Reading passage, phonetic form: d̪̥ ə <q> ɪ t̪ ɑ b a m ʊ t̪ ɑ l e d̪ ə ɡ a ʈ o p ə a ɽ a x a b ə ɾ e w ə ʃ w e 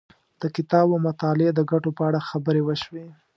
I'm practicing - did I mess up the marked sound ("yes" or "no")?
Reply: yes